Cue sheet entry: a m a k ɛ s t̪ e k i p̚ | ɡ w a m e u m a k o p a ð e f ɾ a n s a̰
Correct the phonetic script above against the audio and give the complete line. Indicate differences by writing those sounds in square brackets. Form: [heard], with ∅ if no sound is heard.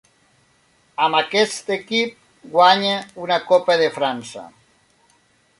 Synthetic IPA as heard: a m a k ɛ s t̪ e k i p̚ | ɡ w a [ɲ] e u [n] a k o p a ð e f ɾ a n s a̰